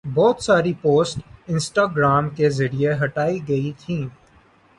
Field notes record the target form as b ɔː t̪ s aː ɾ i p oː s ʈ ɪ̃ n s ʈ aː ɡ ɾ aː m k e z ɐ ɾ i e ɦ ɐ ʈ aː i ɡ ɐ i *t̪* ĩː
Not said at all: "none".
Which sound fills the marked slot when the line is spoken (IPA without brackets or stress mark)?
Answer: t̪ʰ